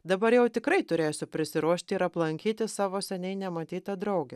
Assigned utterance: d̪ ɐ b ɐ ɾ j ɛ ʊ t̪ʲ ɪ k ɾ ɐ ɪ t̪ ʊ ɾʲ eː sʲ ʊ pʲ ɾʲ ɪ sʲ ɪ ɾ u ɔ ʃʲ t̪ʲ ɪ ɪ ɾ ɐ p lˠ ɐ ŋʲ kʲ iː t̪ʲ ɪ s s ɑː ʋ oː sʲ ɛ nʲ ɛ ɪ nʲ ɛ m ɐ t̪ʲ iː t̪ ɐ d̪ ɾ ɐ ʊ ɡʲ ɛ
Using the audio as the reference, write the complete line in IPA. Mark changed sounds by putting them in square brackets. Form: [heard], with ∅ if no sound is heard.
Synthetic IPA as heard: d̪ ɐ b ɐ ɾ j ɛ ʊ t̪ʲ ɪ k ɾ ɐ ɪ t̪ ʊ ɾʲ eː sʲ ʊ pʲ ɾʲ ɪ sʲ ɪ ɾ u ɔ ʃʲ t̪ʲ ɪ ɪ ɾ ɐ p lˠ ɐ ŋʲ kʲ iː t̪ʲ ɪ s s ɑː ʋ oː sʲ ɛ nʲ ɛ ɪ nʲ ɛ m ɐ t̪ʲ iː t̪ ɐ d̪ ɾ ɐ ʊ ɡʲ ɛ